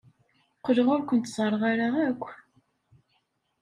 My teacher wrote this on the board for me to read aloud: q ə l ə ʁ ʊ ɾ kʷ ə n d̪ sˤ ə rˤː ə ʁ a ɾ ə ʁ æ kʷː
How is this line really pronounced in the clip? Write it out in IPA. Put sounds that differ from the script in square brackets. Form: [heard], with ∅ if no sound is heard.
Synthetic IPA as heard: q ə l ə ʁ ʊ ɾ kʷ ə n [t̪] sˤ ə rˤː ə ʁ a ɾ [a] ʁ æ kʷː